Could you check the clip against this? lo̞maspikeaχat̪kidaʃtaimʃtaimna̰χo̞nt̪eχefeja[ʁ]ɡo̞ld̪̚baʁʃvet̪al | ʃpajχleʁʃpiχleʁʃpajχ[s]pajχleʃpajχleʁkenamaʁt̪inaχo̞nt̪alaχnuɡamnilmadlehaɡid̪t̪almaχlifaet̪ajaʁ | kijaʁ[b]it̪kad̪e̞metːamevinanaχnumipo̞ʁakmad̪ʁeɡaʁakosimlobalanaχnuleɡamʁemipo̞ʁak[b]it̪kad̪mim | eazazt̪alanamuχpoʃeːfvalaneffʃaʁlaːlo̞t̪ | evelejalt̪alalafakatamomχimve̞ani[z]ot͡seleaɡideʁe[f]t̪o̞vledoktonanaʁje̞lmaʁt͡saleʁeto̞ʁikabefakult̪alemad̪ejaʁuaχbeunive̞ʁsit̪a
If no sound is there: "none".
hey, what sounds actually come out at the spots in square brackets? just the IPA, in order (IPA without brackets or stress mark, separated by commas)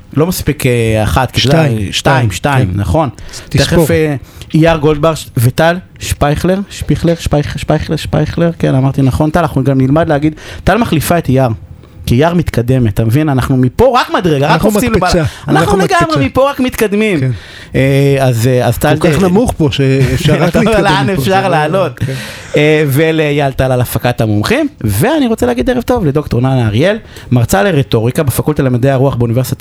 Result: ʁ, ʃ, m, m, ʁ, v